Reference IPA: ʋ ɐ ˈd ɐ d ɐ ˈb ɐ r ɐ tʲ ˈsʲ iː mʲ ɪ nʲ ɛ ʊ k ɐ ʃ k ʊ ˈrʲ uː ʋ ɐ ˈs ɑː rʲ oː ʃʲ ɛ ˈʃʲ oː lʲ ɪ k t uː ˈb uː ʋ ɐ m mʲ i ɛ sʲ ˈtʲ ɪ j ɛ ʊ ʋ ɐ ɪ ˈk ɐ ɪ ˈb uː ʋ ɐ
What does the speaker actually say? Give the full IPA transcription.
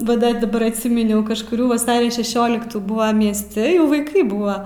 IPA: ʋ ɐ ˈd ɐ d ɐ ˈb ɐ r ɐ tʲ ˈsʲ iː mʲ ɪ nʲ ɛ ʊ k ɐ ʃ k ʊ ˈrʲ uː ʋ ɐ ˈs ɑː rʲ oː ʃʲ ɛ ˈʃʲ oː lʲ ɪ k t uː ˈb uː ʋ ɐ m mʲ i ɛ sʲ ˈtʲ ɪ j ɛ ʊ ʋ ɐ ɪ ˈk ɐ ɪ ˈb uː ʋ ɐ